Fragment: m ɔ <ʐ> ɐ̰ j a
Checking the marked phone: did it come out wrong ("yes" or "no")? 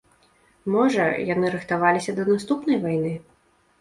no